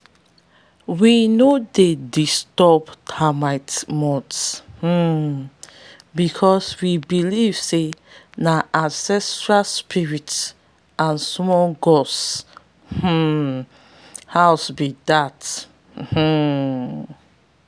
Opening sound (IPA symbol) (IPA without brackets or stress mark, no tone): w